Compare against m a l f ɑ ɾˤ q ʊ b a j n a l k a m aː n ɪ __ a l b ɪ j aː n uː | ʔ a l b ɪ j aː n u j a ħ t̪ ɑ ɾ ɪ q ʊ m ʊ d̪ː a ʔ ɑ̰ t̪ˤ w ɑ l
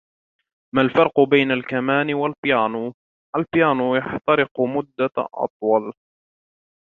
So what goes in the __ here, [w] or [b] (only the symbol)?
w